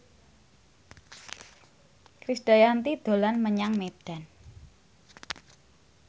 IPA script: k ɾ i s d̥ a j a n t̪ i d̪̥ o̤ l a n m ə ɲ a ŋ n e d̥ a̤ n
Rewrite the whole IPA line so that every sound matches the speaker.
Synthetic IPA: k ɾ i s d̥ a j a n t̪ i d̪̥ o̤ l a n m ə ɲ a ŋ m e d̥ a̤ n